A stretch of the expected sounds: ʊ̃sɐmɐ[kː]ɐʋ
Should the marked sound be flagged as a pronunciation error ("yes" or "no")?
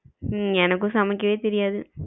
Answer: no